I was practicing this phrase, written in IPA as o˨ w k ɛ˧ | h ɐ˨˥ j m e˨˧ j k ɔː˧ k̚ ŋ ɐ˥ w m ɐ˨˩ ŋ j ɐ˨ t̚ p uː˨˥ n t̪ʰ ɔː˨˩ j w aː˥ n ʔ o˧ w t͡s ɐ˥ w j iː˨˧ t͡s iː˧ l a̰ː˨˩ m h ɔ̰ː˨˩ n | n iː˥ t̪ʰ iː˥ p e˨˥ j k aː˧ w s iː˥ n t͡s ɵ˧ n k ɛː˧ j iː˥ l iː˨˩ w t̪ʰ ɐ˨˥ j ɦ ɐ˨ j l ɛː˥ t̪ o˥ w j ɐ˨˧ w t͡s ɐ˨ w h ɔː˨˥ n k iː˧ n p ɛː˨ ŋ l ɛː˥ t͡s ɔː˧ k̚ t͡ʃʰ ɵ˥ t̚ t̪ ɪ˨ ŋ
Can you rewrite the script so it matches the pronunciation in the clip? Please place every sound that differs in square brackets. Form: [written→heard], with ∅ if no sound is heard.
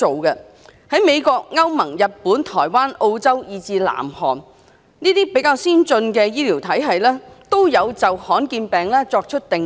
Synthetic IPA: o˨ w k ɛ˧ | h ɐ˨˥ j m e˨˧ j k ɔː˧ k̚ ŋ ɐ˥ w m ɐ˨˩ ŋ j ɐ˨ t̚ p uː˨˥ n t̪ʰ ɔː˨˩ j w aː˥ n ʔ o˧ w t͡s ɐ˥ w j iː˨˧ t͡s iː˧ l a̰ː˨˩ m h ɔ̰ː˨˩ n | n iː˥ [t̪ʰ→t̪] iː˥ p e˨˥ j k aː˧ w s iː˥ n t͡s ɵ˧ n k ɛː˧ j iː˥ l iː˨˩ w t̪ʰ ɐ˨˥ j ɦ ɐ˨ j l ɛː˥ t̪ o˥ w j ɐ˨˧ w t͡s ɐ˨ w h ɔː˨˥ n k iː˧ n p ɛː˨ ŋ l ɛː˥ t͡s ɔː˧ k̚ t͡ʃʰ ɵ˥ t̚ t̪ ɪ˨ ŋ